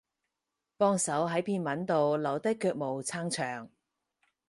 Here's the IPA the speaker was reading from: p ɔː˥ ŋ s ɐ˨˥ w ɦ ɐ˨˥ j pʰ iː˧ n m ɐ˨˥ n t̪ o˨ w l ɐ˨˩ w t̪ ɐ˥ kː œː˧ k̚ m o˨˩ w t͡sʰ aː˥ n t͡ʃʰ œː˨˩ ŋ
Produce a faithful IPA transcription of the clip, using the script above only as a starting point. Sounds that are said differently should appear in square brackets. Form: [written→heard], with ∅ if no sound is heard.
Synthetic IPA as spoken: p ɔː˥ ŋ s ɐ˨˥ w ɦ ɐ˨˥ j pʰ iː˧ n m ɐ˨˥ n t̪ o˨ w l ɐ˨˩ w t̪ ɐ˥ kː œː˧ k̚ m o˨˩ w t͡sʰ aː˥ [n→ŋ] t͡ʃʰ œː˨˩ ŋ